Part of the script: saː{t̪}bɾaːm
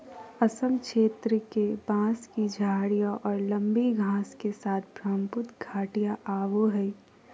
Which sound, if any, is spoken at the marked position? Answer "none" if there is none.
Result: t̪ʰ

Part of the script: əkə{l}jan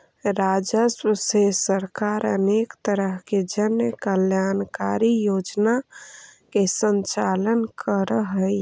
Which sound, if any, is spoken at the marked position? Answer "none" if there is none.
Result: l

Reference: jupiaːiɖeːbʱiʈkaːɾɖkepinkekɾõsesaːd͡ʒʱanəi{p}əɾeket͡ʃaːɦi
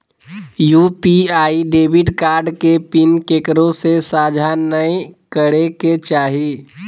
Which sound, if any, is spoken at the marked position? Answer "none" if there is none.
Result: k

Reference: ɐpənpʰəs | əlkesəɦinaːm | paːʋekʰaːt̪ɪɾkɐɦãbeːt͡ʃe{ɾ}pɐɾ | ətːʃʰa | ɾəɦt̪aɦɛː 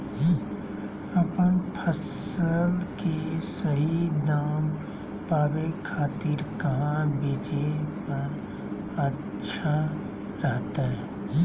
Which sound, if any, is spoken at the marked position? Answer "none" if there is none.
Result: none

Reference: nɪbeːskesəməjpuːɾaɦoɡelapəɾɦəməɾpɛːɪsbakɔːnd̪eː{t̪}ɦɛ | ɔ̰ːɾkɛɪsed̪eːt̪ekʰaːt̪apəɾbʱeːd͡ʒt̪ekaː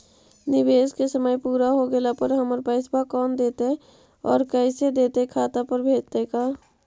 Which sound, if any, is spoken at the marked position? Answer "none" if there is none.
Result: t̪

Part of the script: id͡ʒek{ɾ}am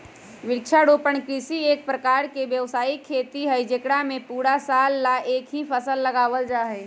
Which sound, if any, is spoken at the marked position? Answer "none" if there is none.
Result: ɽ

